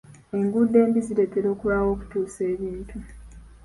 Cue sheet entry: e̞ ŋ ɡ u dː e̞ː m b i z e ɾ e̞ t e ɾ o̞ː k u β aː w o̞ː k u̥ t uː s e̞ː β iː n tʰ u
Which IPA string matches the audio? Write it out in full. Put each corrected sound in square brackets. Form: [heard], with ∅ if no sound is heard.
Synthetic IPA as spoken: e̞ ŋ ɡ u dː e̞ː m b i z [i] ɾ e̞ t e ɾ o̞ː k u β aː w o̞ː k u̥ t uː s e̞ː β iː n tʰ u

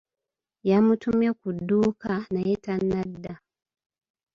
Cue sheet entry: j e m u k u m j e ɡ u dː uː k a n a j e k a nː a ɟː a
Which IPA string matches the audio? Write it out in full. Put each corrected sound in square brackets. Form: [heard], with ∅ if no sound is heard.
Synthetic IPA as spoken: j [a] m u [t] u m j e [k] u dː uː k a n a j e [t] a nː a [dː] a

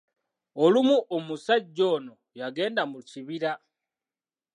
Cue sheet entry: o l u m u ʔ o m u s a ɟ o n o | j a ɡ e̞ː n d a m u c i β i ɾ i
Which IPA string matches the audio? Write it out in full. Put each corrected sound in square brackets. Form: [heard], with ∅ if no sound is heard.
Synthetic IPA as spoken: o l u m u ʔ o m u s a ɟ o n o | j a ɡ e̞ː n d a m u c i β i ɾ [a]

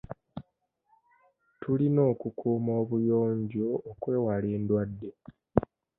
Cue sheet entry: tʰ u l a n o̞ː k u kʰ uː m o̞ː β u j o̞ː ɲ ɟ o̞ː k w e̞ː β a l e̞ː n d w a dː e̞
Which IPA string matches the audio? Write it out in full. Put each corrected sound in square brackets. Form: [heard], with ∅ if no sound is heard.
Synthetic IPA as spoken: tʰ u l [i] n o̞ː k u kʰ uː m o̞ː β u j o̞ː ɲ ɟ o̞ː k w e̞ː [w] a l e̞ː n d w a dː e̞

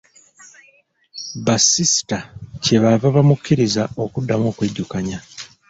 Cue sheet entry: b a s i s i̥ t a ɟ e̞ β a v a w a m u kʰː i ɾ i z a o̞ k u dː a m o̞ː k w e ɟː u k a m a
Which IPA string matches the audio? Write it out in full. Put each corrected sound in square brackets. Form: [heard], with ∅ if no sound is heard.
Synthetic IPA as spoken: b a s i s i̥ t a [c] e̞ β a v a [β] a m u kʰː i ɾ i z a o̞ k u dː a m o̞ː k w e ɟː u k a [ɲ] a

